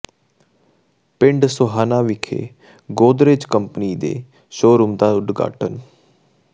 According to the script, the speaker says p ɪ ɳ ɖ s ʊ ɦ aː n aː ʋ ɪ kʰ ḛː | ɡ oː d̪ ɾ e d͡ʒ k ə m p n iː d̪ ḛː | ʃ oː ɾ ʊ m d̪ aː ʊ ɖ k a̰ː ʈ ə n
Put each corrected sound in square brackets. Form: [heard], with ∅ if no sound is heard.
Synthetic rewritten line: p ɪ ɳ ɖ s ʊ ɦ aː n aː ʋ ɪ kʰ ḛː | ɡ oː d̪ ɾ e d͡ʒ k ə m p n iː d̪ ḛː | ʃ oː ɾ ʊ m d̪ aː ʊ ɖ [ɡ] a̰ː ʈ ə n

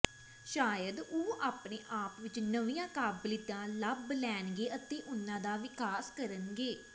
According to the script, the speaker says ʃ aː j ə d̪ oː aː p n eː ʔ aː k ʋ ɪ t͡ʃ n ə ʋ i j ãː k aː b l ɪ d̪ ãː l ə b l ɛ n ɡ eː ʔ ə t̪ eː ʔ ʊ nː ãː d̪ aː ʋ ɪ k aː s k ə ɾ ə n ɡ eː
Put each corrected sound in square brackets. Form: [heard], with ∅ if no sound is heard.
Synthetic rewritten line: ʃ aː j ə d̪ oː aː p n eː ʔ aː [p] ʋ ɪ t͡ʃ n ə ʋ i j ãː k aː b l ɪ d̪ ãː l ə b l [ɛː] n ɡ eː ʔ ə t̪ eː ʔ ʊ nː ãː d̪ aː ʋ ɪ k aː s k ə ɾ ə n ɡ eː

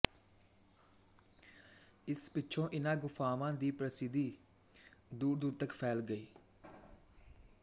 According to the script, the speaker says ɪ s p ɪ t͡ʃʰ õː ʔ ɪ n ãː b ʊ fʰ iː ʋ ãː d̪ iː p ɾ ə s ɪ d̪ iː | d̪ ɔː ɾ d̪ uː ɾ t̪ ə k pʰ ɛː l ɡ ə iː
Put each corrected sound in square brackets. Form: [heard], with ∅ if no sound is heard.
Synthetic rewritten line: ɪ s p ɪ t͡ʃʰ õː ʔ ɪ n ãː [ɡ] ʊ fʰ [aː] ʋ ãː d̪ iː p ɾ ə s ɪ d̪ iː | d̪ [uː] ɾ d̪ uː ɾ t̪ ə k pʰ ɛː l ɡ ə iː

